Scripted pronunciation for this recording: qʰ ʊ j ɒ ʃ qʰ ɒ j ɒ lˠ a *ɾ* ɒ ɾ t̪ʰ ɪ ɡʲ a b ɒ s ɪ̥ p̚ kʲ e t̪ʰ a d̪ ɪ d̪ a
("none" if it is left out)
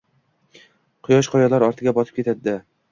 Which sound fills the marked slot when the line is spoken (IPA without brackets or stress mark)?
ɾ